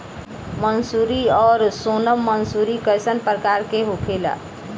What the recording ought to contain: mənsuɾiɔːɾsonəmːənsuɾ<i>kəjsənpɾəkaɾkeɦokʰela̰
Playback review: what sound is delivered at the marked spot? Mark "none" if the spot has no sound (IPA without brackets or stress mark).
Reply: i